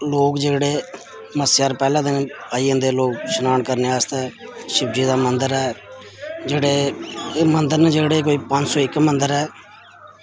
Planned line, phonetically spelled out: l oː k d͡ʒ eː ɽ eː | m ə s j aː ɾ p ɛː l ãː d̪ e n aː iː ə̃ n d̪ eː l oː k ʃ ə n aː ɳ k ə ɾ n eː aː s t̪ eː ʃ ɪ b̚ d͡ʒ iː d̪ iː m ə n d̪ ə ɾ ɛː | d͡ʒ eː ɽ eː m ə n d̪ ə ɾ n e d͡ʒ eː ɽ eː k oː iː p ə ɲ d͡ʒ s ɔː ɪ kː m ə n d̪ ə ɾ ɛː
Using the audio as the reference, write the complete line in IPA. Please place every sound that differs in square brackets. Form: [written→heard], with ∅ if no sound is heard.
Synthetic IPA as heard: l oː k d͡ʒ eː ɽ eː | m ə s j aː ɾ p ɛː l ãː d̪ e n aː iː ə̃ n d̪ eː l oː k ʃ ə n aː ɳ k ə ɾ n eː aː s t̪ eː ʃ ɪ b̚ d͡ʒ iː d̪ [iː→aː] m ə n d̪ ə ɾ ɛː | d͡ʒ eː ɽ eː m ə n d̪ ə ɾ n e d͡ʒ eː ɽ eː k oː iː p ə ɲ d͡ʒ s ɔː ɪ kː m ə n d̪ ə ɾ ɛː

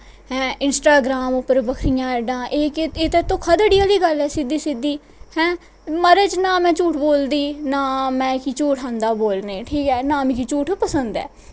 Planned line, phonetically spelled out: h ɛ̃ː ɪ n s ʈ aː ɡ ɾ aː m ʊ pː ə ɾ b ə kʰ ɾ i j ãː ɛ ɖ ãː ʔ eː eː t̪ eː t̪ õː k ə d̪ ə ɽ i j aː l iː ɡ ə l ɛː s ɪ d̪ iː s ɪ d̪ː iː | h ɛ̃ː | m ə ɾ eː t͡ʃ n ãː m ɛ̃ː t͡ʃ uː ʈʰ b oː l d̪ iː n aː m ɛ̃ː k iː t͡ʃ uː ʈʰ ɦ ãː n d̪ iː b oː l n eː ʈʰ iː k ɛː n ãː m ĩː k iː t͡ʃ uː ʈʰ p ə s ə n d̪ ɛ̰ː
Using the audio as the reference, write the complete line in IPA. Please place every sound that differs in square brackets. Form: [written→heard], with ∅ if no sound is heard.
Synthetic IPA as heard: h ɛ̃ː ɪ n s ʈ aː ɡ ɾ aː m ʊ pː ə ɾ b ə kʰ ɾ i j ãː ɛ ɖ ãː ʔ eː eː t̪ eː t̪ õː [k→kʰ] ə d̪ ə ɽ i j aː l iː ɡ ə l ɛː s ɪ d̪ iː s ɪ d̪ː iː | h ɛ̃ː | m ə ɾ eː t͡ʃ n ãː m ɛ̃ː t͡ʃ uː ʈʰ b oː l d̪ iː n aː m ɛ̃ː k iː t͡ʃ uː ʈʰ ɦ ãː n d̪ [iː→aː] b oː l n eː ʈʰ iː k ɛː n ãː m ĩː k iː t͡ʃ uː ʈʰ p ə s ə n d̪ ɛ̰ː

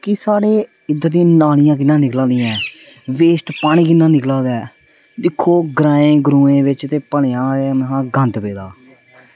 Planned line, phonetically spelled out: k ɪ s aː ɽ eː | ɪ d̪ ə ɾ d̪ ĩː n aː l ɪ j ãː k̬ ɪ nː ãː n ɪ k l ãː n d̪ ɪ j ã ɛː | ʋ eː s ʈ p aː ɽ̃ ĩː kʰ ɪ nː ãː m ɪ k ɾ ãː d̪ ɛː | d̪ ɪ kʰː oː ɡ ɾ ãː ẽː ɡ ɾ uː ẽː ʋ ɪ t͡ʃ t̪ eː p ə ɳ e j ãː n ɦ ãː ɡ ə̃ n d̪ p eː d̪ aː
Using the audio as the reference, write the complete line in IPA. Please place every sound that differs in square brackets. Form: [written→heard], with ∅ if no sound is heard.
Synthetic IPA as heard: k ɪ s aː ɽ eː | ɪ d̪ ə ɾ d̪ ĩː n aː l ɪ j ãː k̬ ɪ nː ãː n ɪ k l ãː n d̪ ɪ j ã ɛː | ʋ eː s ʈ p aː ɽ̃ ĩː [kʰ→k] ɪ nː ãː [m→n] ɪ k [ɾ→l] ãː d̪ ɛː | d̪ ɪ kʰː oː ɡ ɾ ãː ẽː ɡ ɾ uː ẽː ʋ ɪ t͡ʃ t̪ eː p ə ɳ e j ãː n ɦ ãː ɡ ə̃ n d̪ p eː d̪ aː

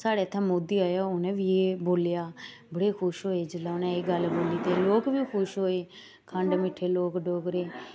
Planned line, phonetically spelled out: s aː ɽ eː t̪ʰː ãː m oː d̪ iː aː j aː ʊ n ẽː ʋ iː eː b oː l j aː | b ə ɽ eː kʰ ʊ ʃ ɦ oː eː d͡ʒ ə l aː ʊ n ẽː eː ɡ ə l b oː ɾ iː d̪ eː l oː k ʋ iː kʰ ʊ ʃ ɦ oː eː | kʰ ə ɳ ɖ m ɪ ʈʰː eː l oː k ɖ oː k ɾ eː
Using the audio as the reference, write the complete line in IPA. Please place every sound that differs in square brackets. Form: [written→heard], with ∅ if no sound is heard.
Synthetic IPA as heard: s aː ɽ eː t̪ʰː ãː m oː d̪ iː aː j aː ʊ n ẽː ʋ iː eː b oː l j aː | b ə ɽ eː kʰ ʊ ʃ ɦ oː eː d͡ʒ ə l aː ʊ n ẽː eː ɡ ə l b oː [ɾ→l] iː [d̪→t̪] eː l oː k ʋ iː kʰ ʊ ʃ ɦ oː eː | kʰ ə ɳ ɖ m ɪ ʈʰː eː l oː k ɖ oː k ɾ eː

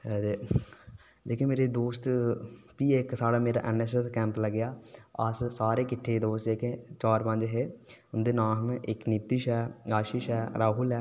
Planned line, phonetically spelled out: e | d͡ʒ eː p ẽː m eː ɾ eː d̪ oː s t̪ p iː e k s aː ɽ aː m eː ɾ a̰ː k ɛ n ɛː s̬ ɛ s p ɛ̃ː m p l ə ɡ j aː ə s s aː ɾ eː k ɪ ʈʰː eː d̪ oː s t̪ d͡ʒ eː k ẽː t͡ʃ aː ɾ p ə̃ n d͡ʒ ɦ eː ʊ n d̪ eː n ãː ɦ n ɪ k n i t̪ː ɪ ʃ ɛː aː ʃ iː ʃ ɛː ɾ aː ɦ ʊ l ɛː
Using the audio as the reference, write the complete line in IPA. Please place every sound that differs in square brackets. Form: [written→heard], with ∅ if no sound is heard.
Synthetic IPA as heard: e | d͡ʒ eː [p→k] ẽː m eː ɾ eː d̪ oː s t̪ p iː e k s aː ɽ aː m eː ɾ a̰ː [k→ʔ] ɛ n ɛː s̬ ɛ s [p→k] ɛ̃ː m p l ə ɡ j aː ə s s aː ɾ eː k ɪ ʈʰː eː d̪ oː s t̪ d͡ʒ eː k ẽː t͡ʃ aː ɾ p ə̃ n d͡ʒ ɦ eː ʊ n d̪ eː n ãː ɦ n ɪ k n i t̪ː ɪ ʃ ɛː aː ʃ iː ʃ ɛː ɾ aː ɦ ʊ l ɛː

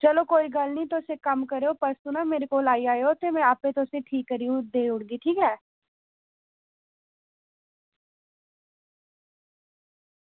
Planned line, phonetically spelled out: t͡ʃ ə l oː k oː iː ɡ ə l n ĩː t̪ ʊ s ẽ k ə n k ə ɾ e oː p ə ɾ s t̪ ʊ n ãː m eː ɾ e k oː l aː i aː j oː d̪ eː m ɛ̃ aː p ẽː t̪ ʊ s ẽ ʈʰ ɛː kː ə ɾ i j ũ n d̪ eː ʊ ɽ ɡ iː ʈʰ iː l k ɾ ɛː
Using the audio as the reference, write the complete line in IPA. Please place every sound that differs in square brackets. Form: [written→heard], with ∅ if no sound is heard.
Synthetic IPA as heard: t͡ʃ ə l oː k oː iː ɡ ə l n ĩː t̪ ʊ s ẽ k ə [n→m] k ə ɾ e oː p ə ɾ s t̪ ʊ n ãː m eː ɾ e k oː l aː i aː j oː [d̪→t̪] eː m ɛ̃ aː p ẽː t̪ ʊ s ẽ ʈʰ [ɛː→iː] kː ə ɾ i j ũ [n→∅] d̪ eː ʊ ɽ ɡ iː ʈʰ iː [l→∅] k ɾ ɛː

